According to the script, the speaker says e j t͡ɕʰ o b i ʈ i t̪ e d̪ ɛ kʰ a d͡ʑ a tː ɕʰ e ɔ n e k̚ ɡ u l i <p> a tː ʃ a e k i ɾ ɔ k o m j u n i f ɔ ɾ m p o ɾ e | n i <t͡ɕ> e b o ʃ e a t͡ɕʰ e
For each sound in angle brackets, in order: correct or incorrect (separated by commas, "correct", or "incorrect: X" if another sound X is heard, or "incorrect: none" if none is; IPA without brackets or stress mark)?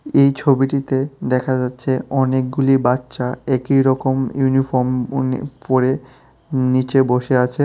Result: incorrect: b, correct